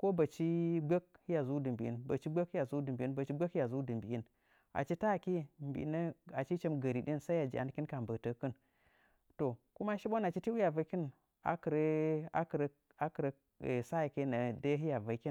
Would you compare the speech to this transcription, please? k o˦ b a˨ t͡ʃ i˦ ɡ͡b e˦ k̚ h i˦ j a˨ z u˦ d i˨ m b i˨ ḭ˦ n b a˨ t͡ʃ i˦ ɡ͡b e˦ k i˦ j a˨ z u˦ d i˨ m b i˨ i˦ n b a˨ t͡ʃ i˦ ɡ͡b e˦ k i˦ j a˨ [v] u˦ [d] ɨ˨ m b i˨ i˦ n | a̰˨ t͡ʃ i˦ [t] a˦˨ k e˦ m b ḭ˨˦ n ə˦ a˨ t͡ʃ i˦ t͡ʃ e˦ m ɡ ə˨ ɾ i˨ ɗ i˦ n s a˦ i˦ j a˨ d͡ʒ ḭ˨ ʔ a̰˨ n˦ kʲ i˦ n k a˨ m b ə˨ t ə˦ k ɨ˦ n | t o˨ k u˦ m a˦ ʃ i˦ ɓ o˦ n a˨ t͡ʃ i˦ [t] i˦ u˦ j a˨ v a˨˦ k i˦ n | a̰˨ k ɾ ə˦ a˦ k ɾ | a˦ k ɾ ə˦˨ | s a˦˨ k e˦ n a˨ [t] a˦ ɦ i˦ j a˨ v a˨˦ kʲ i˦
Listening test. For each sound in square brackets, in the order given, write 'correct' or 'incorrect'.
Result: incorrect, correct, correct, correct, incorrect

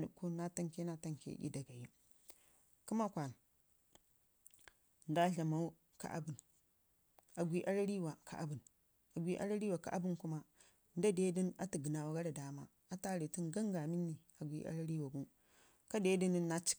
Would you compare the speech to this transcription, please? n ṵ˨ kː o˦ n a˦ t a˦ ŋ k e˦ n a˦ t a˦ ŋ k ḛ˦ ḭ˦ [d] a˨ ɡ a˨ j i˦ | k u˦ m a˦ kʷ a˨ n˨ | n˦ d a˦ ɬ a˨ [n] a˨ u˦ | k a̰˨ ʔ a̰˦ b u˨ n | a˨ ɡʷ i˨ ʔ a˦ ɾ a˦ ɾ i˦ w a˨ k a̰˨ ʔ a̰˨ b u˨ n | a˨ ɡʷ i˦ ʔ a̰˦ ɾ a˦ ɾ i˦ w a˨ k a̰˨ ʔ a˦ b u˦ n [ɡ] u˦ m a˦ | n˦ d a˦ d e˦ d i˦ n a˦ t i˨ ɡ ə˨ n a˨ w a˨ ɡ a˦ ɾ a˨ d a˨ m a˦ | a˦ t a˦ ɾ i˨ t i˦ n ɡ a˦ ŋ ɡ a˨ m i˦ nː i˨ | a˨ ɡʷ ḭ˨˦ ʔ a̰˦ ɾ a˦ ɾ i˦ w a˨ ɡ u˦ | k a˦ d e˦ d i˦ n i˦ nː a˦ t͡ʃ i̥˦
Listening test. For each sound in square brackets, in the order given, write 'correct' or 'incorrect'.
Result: correct, incorrect, incorrect

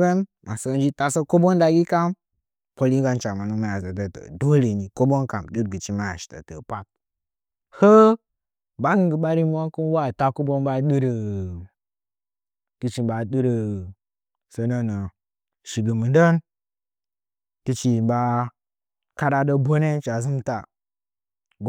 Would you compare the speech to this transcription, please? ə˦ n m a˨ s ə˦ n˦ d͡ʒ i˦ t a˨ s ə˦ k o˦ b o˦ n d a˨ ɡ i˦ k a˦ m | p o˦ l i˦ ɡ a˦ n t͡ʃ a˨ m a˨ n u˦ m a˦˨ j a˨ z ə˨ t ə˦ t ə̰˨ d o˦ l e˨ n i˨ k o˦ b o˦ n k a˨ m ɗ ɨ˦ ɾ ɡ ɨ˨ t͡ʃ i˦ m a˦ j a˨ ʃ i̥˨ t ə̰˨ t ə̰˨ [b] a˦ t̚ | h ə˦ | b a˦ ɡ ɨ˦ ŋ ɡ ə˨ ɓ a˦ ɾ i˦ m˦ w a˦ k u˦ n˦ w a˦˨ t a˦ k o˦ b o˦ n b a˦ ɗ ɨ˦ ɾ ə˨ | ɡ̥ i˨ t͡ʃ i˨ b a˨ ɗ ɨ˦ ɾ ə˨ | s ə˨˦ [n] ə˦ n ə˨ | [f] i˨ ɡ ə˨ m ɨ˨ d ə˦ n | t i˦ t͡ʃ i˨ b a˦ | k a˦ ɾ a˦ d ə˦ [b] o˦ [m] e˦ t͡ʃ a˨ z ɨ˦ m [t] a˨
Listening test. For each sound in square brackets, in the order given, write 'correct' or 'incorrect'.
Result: incorrect, correct, incorrect, correct, incorrect, correct

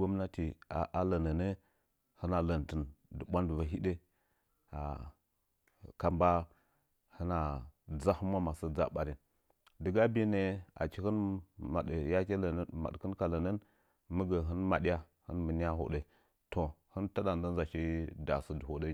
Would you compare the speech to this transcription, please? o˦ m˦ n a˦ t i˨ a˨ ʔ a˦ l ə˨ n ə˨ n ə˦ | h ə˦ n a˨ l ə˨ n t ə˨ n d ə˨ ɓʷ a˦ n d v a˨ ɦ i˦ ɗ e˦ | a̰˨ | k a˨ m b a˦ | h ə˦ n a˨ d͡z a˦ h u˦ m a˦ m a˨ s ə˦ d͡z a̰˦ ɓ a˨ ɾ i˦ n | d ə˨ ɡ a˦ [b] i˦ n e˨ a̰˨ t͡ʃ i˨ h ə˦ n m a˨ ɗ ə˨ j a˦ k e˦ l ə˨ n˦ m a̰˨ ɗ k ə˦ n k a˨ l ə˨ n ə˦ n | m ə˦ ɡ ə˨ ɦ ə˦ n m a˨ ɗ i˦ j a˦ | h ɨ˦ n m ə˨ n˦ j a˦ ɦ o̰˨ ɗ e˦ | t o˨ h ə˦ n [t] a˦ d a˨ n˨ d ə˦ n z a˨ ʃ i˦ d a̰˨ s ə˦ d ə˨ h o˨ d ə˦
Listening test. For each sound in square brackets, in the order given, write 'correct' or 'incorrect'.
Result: correct, correct

